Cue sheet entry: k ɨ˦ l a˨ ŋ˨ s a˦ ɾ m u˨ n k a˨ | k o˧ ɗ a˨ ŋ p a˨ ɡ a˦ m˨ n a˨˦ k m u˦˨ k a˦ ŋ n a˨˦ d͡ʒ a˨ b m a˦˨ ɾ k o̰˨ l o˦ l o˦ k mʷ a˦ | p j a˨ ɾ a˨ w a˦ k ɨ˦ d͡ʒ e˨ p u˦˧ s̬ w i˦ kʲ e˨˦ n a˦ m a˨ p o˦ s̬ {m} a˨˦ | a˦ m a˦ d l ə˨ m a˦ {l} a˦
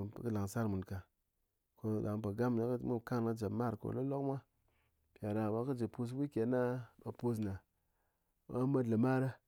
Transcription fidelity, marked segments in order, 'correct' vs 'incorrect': incorrect, incorrect

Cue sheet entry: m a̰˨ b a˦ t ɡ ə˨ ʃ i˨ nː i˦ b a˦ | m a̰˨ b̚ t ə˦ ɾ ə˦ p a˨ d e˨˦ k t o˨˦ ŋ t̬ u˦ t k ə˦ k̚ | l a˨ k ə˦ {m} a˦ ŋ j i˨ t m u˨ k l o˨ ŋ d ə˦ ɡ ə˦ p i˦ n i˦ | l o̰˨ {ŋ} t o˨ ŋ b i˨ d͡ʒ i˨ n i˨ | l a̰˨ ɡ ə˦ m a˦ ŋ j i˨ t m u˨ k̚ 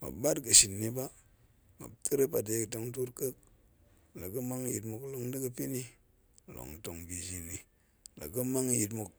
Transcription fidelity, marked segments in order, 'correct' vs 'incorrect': correct, correct

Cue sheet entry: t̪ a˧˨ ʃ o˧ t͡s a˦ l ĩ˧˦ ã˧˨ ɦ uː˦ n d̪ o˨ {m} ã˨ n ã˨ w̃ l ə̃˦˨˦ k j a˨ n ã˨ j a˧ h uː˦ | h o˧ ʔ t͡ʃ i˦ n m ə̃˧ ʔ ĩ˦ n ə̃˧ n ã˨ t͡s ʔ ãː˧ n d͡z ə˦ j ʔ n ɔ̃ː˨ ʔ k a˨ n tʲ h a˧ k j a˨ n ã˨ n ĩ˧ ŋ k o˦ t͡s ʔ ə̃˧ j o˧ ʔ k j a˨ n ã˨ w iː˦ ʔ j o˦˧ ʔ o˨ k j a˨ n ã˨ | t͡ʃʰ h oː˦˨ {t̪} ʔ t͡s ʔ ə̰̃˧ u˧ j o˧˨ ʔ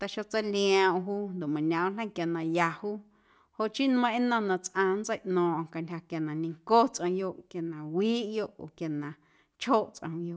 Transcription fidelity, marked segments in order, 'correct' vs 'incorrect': correct, incorrect

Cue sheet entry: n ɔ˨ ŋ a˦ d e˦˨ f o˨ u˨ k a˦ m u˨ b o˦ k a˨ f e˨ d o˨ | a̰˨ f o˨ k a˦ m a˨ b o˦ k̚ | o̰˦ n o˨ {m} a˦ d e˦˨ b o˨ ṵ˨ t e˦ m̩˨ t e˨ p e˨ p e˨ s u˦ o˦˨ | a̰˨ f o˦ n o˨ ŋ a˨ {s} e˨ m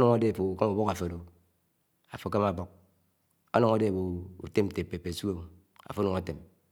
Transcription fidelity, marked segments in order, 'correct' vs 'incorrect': incorrect, incorrect

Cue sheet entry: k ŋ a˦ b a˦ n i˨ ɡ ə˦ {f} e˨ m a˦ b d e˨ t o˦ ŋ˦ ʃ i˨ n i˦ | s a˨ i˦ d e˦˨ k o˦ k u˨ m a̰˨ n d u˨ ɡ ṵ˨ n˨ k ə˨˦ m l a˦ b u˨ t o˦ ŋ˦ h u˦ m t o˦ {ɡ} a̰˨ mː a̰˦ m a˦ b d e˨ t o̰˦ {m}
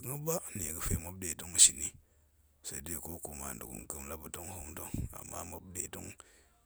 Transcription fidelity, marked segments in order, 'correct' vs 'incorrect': correct, incorrect, incorrect

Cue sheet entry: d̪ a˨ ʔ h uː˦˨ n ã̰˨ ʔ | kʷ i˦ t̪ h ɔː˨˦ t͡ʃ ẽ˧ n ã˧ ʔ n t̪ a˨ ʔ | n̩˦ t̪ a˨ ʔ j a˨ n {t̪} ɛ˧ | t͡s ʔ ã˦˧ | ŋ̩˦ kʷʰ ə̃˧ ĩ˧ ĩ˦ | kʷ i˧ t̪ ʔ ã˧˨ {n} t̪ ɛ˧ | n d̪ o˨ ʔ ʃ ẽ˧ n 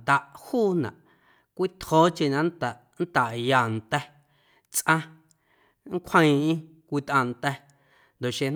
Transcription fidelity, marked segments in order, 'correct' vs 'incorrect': correct, correct

